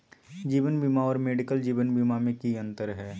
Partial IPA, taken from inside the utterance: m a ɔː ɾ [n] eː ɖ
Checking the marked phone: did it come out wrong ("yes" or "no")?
yes